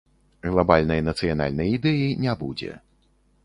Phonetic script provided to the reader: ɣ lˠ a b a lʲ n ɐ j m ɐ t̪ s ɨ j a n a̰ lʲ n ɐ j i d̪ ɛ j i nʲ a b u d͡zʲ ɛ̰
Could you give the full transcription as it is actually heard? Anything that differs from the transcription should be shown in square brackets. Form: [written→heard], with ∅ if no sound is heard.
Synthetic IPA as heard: ɣ lˠ a b a lʲ n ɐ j [m→n] ɐ t̪ s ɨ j a n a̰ lʲ n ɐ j i d̪ ɛ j i nʲ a b u d͡zʲ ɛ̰